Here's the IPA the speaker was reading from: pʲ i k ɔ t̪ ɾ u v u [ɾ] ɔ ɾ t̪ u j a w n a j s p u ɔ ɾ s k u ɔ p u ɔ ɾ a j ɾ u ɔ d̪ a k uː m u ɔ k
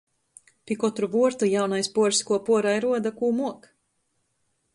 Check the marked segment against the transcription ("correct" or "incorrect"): incorrect